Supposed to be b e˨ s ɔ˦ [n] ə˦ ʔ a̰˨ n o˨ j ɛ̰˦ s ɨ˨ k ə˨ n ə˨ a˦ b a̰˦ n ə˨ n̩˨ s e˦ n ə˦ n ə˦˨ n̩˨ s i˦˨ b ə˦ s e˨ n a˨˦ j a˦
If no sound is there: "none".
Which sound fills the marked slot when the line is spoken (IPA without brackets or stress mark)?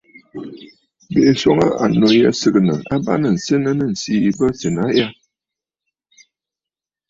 ŋ